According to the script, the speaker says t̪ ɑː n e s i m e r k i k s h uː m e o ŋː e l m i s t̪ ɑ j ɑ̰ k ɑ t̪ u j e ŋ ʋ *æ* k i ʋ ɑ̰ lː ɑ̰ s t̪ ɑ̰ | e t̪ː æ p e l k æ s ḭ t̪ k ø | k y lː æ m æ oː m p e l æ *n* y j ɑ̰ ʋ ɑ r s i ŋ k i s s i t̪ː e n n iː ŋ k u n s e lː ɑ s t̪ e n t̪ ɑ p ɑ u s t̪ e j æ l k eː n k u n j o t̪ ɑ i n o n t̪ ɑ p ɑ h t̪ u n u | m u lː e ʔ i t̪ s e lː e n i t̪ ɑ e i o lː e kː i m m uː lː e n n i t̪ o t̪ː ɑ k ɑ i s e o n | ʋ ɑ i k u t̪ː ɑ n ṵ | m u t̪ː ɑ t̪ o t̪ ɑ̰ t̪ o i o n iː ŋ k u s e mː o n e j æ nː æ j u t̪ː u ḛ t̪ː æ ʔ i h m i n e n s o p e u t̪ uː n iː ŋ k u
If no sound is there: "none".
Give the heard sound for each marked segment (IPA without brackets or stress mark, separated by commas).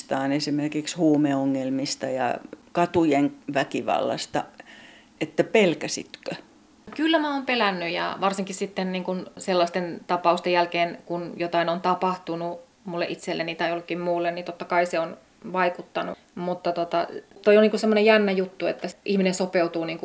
æ, nː